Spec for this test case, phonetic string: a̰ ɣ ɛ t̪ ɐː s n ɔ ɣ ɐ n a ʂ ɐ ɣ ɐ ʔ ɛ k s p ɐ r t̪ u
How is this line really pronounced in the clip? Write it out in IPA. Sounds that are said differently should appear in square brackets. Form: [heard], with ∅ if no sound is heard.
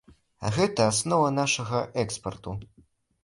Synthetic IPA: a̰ ɣ ɛ t̪ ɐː s n ɔ [v] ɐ n a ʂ ɐ ɣ ɐ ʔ ɛ k s p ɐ r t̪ u